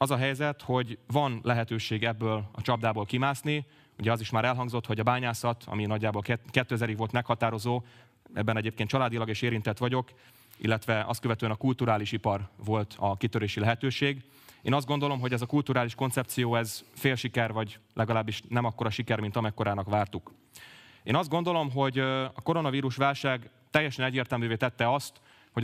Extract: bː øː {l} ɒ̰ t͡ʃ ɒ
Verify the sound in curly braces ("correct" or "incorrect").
correct